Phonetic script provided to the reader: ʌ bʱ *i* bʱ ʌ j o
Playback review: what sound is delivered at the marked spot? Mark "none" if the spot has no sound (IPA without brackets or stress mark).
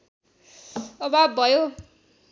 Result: a